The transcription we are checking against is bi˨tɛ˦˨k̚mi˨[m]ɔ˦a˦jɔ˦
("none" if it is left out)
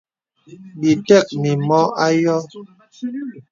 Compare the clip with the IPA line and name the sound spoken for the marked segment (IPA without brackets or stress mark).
m